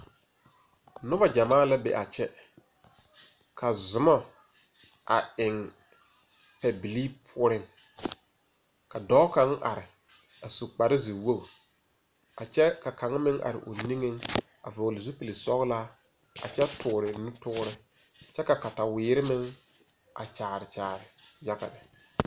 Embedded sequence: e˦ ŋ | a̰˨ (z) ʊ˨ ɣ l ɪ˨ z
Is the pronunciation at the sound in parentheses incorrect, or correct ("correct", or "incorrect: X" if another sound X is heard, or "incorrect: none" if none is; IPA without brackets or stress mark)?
incorrect: v